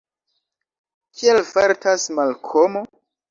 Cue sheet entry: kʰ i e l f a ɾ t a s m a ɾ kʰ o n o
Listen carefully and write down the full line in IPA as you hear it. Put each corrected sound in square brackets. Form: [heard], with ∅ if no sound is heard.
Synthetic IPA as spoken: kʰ i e l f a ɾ t a s m a [l] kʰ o [m] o